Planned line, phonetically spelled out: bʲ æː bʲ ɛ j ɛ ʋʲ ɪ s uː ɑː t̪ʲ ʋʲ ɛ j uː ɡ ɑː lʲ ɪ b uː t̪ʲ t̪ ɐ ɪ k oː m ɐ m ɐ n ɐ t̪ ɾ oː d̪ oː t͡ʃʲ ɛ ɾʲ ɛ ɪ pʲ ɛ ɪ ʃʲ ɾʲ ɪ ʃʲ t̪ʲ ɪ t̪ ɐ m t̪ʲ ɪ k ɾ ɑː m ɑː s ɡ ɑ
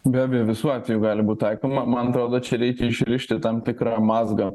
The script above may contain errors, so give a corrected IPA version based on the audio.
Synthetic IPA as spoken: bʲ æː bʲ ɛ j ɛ ʋʲ ɪ s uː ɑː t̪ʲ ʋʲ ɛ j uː ɡ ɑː lʲ ɪ b uː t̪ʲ t̪ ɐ ɪ k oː m ɐ m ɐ n ɐ t̪ ɾ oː d̪ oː t͡ʃʲ ɛ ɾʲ ɛ ɪ kʲ ɛ ɪ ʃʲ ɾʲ ɪ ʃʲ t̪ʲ ɪ t̪ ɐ m t̪ʲ ɪ k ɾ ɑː m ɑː z ɡ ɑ